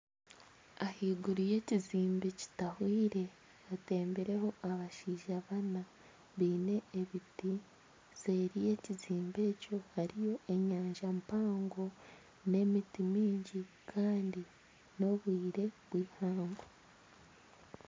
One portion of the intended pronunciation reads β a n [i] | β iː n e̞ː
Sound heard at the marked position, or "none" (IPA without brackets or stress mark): a